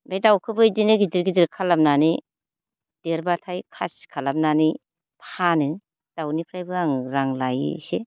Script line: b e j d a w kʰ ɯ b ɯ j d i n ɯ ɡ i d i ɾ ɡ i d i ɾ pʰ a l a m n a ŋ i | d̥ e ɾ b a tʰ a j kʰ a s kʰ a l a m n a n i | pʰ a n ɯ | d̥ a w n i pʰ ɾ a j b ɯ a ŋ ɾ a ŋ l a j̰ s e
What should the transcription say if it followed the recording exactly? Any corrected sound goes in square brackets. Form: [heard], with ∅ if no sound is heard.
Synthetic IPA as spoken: b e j d a w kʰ ɯ b ɯ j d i n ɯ ɡ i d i ɾ ɡ i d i ɾ [kʰ] a l a m n a [n] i | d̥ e ɾ b a tʰ a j kʰ a s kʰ a l a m n a n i | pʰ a n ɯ | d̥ a w n i pʰ ɾ a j b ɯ a ŋ ɾ a ŋ l a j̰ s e